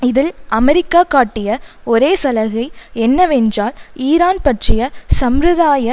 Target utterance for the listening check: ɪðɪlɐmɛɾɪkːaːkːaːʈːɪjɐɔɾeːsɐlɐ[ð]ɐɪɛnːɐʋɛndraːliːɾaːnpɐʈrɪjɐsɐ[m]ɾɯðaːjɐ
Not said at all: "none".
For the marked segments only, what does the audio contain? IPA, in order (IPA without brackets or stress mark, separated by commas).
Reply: ɣ, m